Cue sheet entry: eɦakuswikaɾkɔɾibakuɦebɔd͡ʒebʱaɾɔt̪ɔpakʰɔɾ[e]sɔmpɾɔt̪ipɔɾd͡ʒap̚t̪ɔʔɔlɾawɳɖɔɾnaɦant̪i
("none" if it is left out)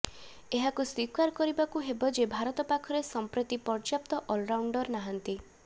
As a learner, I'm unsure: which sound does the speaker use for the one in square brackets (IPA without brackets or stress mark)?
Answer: e